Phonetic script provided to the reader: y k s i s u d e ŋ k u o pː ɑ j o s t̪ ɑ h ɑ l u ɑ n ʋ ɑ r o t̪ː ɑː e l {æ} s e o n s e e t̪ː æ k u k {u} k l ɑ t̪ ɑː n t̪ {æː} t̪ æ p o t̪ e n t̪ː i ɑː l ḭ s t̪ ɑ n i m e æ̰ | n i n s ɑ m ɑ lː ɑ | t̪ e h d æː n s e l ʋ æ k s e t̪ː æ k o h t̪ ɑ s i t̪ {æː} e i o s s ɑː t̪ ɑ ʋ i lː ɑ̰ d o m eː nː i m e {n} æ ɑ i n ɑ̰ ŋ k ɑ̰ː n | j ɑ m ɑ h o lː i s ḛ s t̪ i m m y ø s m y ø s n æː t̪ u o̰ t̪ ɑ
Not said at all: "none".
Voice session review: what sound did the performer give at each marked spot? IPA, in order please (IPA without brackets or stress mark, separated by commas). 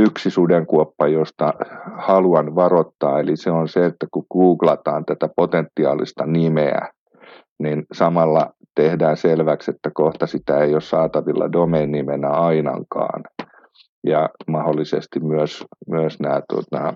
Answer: i, uː, æ, æ, n